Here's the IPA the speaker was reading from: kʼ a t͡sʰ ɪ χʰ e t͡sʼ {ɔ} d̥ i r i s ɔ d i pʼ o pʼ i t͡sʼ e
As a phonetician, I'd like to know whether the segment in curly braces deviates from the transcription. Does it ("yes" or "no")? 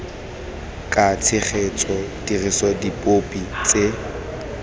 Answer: no